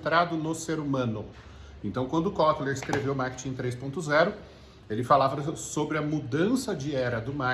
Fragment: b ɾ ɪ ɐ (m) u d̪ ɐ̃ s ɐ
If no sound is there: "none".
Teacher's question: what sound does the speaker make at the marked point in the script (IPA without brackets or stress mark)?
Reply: m